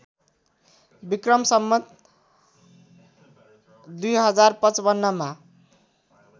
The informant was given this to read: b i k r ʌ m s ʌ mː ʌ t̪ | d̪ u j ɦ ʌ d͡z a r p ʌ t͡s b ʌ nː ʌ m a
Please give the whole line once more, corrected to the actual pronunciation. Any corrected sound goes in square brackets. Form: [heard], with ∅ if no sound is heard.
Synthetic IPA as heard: b i k r ʌ m s ʌ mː ʌ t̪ | d̪ u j ɦ ʌ d͡z a r p ʌ t͡s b ʌ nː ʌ m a